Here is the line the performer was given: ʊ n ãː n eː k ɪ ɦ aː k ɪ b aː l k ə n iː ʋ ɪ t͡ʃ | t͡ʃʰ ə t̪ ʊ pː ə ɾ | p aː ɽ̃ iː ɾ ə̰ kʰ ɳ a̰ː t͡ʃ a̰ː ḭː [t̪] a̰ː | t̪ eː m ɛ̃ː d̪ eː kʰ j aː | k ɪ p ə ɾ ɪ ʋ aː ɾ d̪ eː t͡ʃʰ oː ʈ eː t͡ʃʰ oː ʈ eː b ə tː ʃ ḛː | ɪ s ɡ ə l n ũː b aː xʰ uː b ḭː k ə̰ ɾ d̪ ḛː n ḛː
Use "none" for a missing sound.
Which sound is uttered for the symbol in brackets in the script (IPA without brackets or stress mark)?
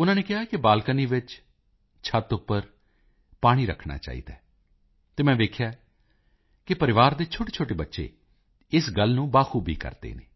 d̪